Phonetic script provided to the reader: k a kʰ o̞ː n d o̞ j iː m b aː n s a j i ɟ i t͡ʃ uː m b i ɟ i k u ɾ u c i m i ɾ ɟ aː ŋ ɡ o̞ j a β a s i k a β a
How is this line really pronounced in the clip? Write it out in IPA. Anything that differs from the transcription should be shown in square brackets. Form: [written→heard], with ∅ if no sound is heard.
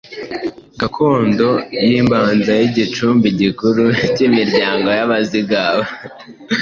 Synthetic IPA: [k→ɡ] a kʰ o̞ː n d o̞ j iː m b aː n [s→z] a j i ɟ i t͡ʃ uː m b i ɟ i k u ɾ u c i m i ɾ ɟ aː ŋ ɡ o̞ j a β a [s→z] i [k→ɡ] a β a